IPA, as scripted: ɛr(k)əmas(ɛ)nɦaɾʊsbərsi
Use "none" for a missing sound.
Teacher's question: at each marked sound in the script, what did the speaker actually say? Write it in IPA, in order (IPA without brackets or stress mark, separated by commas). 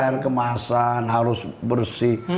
k, a